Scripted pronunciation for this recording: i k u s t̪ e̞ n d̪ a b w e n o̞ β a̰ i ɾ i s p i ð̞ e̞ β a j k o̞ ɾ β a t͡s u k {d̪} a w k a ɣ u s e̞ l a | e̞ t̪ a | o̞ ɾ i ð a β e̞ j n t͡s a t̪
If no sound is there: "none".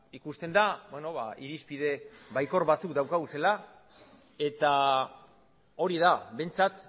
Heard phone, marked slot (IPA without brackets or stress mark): d̪